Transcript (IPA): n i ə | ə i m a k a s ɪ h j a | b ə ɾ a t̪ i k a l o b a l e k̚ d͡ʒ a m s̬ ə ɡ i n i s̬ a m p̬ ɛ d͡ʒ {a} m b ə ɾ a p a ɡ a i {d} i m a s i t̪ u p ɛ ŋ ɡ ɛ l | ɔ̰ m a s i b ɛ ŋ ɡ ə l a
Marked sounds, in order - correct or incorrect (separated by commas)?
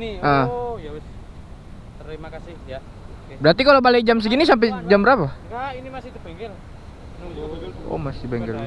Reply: correct, incorrect